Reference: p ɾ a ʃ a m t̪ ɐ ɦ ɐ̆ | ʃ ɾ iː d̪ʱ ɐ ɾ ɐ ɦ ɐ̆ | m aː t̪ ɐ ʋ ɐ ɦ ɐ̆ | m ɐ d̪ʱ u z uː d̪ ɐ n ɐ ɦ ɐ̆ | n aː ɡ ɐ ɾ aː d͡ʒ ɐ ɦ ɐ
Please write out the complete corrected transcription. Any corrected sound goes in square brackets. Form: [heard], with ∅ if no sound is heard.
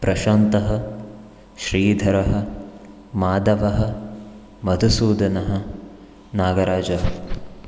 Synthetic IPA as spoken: p ɾ [ɐ] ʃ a [n] t̪ ɐ ɦ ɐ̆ | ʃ ɾ iː d̪ʱ ɐ ɾ ɐ ɦ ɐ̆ | m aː [d̪] ɐ ʋ ɐ ɦ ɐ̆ | m ɐ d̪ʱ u [s] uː d̪ ɐ n ɐ ɦ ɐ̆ | n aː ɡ ɐ ɾ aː d͡ʒ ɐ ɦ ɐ